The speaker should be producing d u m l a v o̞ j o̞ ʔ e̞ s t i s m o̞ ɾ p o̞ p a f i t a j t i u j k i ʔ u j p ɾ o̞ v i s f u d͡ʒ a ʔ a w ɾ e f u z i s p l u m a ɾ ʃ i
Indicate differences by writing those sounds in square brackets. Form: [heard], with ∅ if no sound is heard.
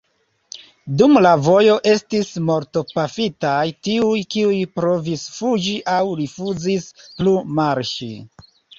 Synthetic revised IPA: d u m l a v o̞ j o̞ ʔ e̞ s t i s m o̞ ɾ [t] o̞ p a f i t a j t i u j k i [∅] u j p ɾ o̞ v i s f u d͡ʒ [i] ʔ a w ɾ [i] f u z i s p l u m a ɾ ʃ i

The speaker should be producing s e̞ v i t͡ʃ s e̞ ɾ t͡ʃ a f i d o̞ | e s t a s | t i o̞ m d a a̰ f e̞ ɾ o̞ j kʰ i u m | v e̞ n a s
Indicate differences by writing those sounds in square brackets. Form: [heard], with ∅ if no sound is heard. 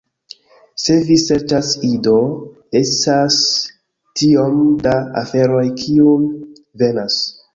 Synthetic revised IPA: s e̞ v i [∅] s e̞ ɾ t͡ʃ a [s] i d o̞ | e s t a s | t i o̞ m d a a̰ f e̞ ɾ o̞ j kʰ i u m | v e̞ n a s

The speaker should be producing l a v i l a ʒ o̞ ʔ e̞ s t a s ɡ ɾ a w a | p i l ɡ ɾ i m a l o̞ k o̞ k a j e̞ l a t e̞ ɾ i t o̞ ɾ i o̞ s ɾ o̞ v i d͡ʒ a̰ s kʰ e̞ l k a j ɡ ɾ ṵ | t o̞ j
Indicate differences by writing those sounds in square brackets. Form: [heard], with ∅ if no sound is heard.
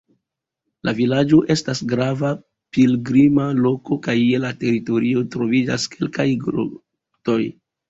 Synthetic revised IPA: l a v i l a [d͡ʒ] o̞ ʔ e̞ s t a s ɡ ɾ a [v] a | p i l ɡ ɾ i m a l o̞ k o̞ k a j e̞ l a t e̞ ɾ i t o̞ ɾ i o̞ [t] ɾ o̞ v i d͡ʒ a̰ s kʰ e̞ l k a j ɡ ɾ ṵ | t o̞ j

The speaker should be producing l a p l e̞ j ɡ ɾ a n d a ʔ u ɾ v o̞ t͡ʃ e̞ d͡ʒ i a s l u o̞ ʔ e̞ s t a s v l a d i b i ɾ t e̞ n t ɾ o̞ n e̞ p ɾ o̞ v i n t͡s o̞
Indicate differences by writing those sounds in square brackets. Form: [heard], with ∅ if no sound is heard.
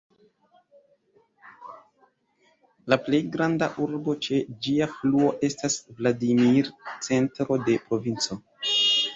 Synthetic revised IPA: l a p l e̞ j ɡ ɾ a n d a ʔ u ɾ [b] o̞ t͡ʃ e̞ d͡ʒ i a [f] l u o̞ ʔ e̞ s t a s v l a d i [m] i ɾ [t͡s] e̞ n t ɾ o̞ [d] e̞ p ɾ o̞ v i n t͡s o̞

